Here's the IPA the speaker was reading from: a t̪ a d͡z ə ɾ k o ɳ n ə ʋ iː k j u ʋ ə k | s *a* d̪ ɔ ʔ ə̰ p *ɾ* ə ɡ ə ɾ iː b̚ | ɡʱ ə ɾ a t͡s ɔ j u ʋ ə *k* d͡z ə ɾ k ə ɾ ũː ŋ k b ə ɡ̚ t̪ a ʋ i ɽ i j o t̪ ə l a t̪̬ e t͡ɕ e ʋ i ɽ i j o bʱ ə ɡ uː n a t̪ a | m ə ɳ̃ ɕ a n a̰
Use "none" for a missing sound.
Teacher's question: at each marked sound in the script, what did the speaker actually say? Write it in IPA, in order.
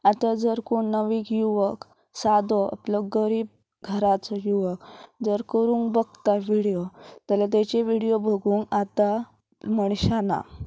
a, l, k

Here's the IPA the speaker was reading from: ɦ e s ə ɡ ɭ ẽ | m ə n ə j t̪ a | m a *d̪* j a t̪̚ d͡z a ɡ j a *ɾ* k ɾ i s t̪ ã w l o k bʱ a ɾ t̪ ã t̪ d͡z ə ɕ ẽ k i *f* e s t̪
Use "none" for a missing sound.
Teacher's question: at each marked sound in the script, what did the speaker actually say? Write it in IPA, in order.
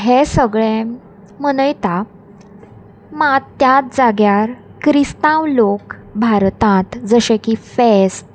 t̪, ɾ, f

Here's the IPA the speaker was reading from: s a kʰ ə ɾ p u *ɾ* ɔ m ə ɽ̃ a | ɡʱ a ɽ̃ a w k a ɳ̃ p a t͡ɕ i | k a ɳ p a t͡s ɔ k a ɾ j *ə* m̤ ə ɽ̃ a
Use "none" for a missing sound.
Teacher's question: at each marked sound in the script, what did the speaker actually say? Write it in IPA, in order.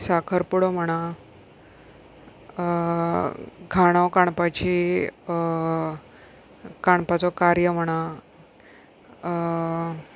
ɽ, ə

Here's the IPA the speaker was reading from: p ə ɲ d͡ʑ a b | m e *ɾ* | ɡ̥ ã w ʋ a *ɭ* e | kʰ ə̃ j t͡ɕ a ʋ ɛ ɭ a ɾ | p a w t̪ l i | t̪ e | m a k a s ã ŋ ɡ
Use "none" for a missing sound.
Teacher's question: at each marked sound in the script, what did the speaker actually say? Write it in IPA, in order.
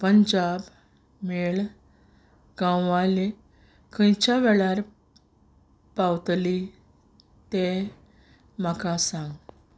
ɭ, l

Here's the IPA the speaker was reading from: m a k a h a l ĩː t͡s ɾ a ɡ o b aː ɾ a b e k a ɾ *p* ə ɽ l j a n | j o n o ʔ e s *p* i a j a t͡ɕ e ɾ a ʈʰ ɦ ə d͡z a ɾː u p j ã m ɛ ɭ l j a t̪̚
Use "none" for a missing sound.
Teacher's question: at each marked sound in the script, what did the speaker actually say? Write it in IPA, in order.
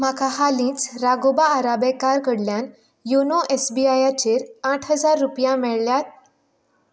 k, b

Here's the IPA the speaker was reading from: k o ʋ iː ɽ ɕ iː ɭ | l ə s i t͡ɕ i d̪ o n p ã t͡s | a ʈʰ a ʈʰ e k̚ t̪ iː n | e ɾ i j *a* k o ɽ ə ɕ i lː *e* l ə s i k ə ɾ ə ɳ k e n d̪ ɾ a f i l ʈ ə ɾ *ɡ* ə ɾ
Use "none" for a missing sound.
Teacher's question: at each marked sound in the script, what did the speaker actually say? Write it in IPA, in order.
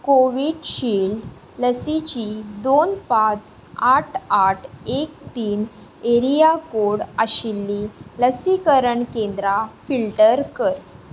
a, i, k

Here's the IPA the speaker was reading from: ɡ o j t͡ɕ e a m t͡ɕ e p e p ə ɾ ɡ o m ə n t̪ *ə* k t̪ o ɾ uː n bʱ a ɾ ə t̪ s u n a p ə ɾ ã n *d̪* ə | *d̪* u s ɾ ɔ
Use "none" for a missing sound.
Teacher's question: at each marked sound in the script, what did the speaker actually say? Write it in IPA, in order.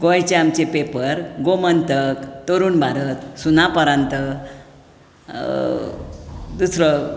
ə, t̪, d̪

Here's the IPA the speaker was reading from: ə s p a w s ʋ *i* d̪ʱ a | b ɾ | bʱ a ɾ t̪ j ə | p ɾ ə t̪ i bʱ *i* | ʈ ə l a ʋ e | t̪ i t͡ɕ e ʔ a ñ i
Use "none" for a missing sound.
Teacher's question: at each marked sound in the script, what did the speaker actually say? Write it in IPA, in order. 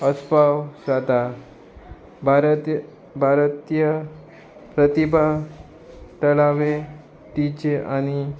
a, a

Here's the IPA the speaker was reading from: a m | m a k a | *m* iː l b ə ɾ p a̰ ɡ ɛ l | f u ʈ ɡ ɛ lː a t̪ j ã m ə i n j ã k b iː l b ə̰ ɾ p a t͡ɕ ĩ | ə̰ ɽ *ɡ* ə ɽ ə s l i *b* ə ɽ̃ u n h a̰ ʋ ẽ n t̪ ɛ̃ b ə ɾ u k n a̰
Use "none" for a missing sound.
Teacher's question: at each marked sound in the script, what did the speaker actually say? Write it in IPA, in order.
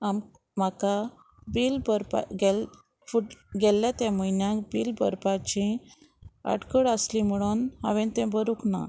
b, k, m

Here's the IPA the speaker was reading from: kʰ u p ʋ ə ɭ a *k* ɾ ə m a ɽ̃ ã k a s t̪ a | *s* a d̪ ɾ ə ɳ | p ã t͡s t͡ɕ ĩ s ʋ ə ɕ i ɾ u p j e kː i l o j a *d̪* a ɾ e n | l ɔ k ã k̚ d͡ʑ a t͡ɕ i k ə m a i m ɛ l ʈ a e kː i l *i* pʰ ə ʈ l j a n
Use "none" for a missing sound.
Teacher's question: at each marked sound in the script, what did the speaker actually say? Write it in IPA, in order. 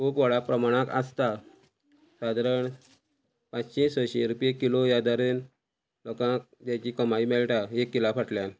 p, s, d̪, a

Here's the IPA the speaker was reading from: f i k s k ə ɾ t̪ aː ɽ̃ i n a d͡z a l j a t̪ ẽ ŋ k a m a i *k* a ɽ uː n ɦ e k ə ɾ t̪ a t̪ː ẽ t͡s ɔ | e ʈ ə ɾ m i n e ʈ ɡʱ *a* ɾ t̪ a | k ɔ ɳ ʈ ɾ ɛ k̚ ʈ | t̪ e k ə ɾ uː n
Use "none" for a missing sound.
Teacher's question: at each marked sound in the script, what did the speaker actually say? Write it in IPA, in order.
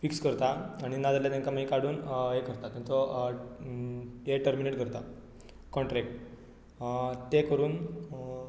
k, ə

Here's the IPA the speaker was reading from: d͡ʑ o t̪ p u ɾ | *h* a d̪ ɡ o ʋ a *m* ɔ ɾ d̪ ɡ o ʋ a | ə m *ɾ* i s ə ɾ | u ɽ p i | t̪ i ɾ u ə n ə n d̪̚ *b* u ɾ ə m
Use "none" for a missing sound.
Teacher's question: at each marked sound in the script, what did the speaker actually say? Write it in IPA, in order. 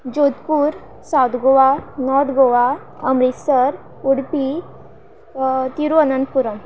s, n, ɾ, p

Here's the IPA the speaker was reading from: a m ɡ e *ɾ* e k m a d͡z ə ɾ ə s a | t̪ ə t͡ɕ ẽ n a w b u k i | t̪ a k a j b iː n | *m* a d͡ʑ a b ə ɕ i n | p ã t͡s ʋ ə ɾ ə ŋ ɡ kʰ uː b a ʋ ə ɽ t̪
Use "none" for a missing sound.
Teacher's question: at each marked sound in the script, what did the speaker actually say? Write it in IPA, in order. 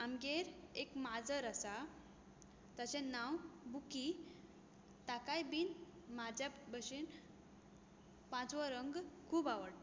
ɾ, m

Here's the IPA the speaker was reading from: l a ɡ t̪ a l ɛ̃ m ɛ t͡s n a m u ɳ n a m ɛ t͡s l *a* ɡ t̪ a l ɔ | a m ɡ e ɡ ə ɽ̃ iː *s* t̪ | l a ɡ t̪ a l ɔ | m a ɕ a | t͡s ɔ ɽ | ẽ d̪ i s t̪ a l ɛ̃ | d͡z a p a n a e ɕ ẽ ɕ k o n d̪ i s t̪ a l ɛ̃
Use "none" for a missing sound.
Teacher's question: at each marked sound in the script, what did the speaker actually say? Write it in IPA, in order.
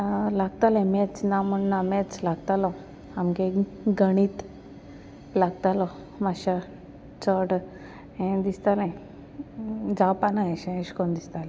a, none

